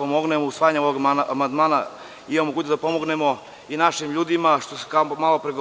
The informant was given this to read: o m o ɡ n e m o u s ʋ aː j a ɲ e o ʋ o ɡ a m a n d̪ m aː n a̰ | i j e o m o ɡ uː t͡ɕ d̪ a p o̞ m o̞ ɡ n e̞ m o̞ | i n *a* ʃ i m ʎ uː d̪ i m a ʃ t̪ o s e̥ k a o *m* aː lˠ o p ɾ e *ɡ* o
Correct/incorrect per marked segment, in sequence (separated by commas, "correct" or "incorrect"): correct, correct, correct